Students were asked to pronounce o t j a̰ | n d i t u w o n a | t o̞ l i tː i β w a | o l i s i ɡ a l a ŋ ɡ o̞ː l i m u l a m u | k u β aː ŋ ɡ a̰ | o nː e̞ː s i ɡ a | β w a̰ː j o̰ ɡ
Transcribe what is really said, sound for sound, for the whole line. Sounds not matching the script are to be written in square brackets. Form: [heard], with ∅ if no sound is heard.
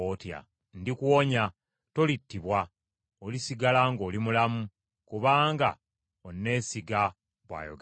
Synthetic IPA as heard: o t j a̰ | n d i [k] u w o [ɲ] a | t o̞ l i tː i β w a | o l i s i ɡ a l a ŋ ɡ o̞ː l i m u l a m u | k u β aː ŋ ɡ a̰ | o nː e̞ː s i ɡ a | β w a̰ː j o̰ ɡ